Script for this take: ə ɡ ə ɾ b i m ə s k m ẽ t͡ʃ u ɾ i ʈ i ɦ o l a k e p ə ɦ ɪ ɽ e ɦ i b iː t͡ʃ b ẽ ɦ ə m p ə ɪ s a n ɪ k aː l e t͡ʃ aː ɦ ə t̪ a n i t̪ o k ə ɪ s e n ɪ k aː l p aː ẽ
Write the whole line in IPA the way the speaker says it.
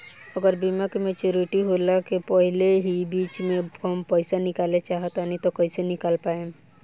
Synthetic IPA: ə ɡ ə ɾ b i m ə k m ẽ t͡ʃ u ɾ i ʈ i ɦ o l a k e p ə ɦ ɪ l e ɦ i b iː t͡ʃ m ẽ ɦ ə m p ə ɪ s a n ɪ k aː l e t͡ʃ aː ɦ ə t̪ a n i t̪ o k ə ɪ s e n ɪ k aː l p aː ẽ